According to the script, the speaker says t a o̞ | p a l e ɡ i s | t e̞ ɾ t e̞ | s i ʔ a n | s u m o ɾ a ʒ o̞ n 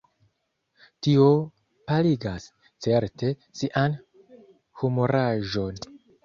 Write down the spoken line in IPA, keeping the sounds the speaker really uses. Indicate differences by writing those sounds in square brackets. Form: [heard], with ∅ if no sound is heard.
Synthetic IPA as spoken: t [i] o̞ | p a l [i] ɡ [a] s | [t͡s] e̞ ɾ t e̞ | s i ʔ a n | [h] u m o ɾ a ʒ o̞ n